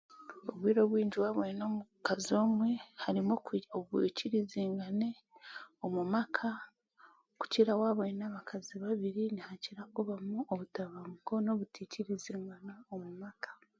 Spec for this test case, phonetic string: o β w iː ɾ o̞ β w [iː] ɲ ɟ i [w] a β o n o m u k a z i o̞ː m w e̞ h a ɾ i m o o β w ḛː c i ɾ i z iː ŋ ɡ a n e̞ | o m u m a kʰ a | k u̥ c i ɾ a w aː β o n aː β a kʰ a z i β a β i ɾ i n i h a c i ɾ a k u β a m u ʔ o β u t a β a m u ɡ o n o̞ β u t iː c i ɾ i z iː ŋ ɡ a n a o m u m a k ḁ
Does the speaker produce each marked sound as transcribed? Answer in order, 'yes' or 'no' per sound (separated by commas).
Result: yes, yes